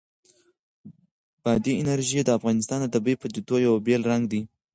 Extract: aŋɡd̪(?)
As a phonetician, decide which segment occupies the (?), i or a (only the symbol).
i